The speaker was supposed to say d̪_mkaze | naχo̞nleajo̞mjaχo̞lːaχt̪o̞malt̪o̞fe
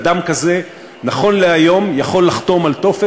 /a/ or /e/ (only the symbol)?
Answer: a